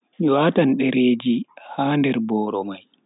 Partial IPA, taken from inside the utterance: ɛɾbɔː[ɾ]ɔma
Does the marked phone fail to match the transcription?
no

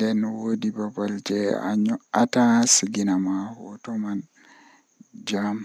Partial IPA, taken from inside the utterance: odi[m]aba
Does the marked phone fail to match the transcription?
yes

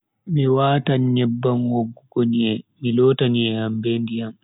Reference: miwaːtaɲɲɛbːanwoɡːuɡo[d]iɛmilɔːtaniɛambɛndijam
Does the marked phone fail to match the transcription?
yes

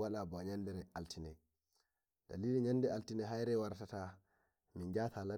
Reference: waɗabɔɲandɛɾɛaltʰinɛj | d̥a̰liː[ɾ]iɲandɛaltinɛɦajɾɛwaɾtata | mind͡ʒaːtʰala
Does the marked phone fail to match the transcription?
yes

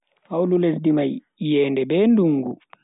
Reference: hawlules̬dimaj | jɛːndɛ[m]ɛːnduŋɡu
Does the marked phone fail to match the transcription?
yes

